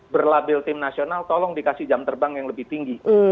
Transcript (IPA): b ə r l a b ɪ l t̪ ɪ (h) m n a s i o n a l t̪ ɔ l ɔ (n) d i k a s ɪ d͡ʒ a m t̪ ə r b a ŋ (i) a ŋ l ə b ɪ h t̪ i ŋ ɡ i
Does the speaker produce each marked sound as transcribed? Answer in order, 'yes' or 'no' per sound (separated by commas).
no, no, no